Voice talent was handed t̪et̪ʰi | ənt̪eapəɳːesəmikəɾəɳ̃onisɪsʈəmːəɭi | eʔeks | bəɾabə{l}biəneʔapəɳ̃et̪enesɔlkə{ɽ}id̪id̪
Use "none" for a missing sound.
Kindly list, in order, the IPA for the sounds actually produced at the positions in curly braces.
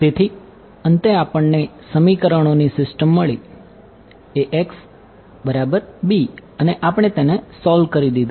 ɾ, ɾ

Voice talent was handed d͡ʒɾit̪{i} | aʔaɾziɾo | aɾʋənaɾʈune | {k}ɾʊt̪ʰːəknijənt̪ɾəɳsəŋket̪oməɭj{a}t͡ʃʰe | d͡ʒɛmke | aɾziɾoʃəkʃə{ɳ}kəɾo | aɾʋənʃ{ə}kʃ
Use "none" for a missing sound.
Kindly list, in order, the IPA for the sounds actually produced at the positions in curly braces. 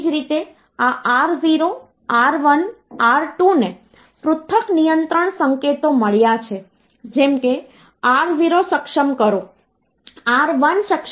e, p, a, m, ə

